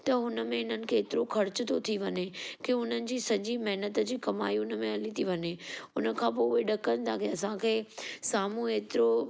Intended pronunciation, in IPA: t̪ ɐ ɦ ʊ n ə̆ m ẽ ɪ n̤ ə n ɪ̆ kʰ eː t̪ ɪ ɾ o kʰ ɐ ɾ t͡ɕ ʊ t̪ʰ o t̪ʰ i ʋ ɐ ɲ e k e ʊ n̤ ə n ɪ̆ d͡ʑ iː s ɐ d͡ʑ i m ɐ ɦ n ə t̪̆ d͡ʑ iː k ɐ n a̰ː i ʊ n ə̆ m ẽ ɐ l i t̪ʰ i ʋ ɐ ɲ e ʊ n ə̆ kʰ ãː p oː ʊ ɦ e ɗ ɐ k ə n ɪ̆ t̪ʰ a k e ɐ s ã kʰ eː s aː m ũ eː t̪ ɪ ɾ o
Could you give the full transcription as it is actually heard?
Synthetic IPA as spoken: t̪ ɐ ɦ ʊ n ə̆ m ẽ ɪ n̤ ə n ɪ̆ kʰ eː t̪ ɪ ɾ o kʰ ɐ ɾ t͡ɕ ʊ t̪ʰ o t̪ʰ i ʋ ɐ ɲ e k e ʊ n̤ ə n ɪ̆ d͡ʑ iː s ɐ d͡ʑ i m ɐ ɦ n ə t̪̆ d͡ʑ iː k ɐ m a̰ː i ʊ n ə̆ m ẽ ɐ l i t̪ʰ i ʋ ɐ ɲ e ʊ n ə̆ kʰ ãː p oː ʊ ɦ e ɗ ɐ k ə n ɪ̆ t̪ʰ a k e ɐ s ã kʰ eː s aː m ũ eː t̪ ɪ ɾ o